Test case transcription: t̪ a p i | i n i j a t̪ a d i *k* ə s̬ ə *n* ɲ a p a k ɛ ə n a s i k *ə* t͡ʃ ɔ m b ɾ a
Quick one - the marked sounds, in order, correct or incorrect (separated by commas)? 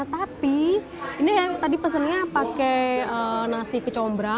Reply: incorrect, correct, correct